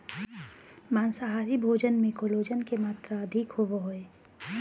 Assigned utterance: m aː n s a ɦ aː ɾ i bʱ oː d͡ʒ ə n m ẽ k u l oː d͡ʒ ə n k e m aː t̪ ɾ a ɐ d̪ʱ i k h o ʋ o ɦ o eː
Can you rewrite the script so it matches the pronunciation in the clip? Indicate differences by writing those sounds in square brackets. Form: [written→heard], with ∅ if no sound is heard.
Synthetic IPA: m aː n s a ɦ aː ɾ i bʱ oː d͡ʒ ə n m ẽ k [u→o] l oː d͡ʒ ə n k e m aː t̪ ɾ a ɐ d̪ʱ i k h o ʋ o ɦ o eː